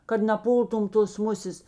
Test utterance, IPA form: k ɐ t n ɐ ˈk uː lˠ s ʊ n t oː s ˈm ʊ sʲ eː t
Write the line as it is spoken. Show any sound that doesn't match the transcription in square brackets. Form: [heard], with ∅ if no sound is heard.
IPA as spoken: k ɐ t n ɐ [ˈp] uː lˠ [t] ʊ [m] t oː s ˈm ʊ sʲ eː [s]